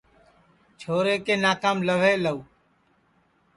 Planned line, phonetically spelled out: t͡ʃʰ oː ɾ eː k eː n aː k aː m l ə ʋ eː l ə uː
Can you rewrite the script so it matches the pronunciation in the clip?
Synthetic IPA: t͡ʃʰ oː ɾ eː k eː n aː k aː m l ə ʋ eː l ə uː